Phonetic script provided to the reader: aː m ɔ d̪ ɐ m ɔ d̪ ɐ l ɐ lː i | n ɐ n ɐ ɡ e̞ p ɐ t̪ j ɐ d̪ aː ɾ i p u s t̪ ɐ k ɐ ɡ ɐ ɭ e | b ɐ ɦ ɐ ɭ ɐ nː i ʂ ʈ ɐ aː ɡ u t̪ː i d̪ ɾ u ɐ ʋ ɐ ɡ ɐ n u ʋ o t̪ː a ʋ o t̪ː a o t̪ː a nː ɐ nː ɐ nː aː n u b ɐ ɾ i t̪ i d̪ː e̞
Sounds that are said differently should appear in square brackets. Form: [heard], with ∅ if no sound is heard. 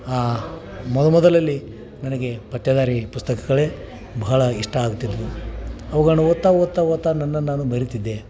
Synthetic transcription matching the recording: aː m ɔ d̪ ɐ m ɔ d̪ ɐ l ɐ lː i | n ɐ n ɐ ɡ e̞ p ɐ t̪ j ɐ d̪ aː ɾ i p u s t̪ ɐ k ɐ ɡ ɐ ɭ e | b ɐ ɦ ɐ ɭ ɐ [∅] i ʂ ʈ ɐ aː ɡ u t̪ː i d̪ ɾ u ɐ ʋ ɐ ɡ ɐ n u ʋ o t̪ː a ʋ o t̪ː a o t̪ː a [n] ɐ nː ɐ nː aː n u b ɐ ɾ i t̪ i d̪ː e̞